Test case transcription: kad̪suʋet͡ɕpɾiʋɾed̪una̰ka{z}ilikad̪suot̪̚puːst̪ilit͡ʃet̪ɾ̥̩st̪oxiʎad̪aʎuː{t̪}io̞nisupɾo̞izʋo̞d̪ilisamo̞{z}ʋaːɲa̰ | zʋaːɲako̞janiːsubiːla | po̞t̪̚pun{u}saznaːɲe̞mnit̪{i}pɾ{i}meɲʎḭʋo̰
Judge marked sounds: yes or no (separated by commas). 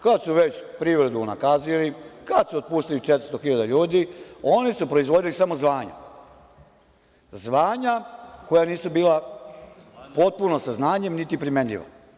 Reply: yes, no, yes, no, yes, yes